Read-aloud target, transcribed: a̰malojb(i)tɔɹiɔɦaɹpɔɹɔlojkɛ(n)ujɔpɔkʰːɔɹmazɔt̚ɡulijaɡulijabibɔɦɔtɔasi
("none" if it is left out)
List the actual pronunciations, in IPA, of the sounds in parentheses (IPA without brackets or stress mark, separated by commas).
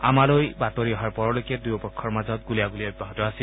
a, d